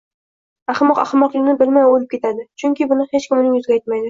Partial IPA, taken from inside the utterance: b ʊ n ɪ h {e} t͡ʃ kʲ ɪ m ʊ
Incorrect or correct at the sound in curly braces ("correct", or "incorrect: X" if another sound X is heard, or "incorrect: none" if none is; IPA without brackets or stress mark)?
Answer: correct